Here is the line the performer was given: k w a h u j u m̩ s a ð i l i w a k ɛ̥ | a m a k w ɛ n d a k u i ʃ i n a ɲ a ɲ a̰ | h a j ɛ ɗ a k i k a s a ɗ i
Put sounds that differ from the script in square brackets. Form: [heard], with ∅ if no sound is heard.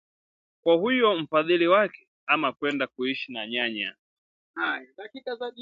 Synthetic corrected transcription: k w a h u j [ɔ] m̩ [f] a ð i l i w a k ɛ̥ | a m a k w ɛ n d a k u i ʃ i n a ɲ a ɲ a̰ | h a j [a] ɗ a k i k a [z] a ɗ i